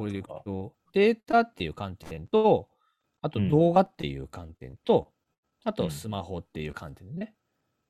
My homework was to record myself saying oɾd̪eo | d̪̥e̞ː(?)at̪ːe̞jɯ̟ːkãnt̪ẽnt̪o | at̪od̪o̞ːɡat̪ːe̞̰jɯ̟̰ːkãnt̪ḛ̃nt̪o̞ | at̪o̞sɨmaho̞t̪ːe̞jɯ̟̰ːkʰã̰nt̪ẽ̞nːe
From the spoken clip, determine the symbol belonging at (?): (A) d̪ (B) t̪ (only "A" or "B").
B